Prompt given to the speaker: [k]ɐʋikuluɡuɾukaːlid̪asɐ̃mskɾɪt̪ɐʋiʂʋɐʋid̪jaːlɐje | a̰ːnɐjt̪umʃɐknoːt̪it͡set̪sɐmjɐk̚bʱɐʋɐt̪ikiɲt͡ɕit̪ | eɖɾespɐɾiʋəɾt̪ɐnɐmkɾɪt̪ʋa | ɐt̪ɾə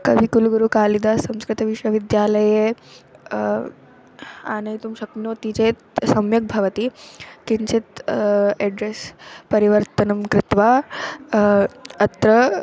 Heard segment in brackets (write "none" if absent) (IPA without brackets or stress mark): k